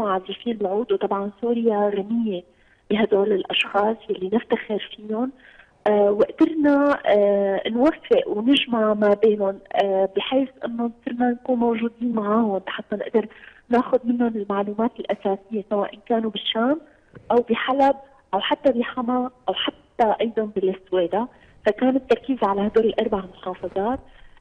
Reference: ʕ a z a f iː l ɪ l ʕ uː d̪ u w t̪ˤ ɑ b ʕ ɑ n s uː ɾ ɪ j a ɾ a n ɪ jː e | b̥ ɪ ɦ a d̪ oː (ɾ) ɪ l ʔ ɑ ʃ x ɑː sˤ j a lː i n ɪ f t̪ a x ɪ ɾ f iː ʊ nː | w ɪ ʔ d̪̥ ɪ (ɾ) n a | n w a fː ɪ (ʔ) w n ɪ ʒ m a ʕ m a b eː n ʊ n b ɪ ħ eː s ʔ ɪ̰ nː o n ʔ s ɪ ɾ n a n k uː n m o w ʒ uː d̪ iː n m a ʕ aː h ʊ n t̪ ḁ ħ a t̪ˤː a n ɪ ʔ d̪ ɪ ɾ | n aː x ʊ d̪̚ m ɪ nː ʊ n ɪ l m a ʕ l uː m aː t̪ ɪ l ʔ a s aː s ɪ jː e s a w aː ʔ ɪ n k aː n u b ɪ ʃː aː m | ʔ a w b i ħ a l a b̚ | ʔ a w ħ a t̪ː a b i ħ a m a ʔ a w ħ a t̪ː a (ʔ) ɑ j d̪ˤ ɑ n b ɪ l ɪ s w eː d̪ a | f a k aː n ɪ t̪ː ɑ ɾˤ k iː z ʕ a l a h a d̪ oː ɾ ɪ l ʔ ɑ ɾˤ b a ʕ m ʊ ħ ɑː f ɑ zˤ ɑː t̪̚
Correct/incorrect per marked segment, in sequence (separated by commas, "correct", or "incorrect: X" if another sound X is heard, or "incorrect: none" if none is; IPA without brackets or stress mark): incorrect: l, correct, correct, correct